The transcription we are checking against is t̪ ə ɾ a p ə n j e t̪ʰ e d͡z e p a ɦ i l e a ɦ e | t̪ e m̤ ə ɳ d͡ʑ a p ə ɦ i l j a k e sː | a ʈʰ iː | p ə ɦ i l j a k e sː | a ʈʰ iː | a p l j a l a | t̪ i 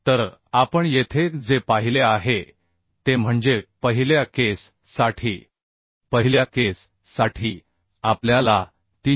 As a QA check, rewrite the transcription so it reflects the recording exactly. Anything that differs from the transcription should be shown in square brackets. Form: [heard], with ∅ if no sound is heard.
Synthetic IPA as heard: t̪ ə ɾ a p ə [ɳ] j e t̪ʰ e d͡z e p a ɦ i l e a ɦ e | t̪ e m̤ ə ɳ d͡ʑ [e] p ə ɦ i l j a k e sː | a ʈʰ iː | p ə ɦ i l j a k e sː | a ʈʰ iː | a p l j a l a | t̪ i